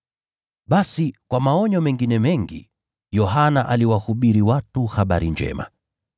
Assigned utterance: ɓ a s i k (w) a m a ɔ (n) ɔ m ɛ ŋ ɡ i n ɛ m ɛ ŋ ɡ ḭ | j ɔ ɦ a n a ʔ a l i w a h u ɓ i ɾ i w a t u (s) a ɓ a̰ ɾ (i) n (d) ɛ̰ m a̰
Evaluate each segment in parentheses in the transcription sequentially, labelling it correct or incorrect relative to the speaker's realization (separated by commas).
correct, incorrect, incorrect, correct, incorrect